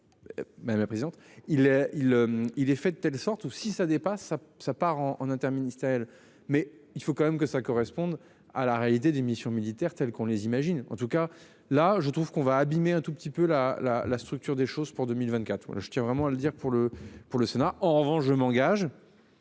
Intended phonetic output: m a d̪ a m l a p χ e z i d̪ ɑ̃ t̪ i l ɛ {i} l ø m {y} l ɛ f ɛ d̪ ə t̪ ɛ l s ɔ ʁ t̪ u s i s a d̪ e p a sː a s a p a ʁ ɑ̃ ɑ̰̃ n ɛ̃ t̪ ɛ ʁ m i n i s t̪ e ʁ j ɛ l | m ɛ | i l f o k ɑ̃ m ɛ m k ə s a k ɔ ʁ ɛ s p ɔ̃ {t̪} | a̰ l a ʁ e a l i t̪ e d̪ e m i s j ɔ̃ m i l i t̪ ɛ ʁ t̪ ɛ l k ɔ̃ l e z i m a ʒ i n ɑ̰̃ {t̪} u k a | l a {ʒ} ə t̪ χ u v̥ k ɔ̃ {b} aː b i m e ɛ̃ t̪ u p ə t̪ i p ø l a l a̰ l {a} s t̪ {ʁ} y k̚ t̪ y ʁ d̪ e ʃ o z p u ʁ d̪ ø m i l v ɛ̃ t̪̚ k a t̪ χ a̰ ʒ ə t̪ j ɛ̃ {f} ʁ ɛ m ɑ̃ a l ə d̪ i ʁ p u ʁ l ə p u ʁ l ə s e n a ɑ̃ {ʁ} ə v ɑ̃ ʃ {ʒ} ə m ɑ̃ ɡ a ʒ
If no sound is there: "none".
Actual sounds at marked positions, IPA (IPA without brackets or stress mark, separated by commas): i, i, d̪, t̪, ʒ, v, a, χ, v, ʁ, ʒ